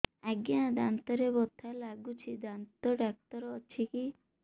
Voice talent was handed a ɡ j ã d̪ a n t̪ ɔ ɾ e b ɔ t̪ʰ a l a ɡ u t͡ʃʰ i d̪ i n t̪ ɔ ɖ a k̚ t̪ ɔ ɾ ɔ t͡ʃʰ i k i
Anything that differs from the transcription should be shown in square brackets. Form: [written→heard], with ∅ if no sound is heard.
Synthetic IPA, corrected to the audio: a ɡ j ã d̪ a n t̪ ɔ ɾ e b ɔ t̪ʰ a l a ɡ u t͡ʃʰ i d̪ [i→a] n t̪ ɔ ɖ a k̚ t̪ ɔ ɾ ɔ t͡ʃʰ i k i